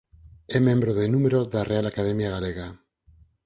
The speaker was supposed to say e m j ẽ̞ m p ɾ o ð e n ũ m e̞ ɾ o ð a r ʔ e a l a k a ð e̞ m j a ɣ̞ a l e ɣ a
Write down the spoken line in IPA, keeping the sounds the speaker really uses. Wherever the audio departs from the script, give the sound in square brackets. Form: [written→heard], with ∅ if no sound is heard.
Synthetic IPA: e m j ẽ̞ m [p→b] ɾ o ð e n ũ m e̞ ɾ o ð a r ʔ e a l a k a ð e̞ m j a ɣ̞ a l e ɣ a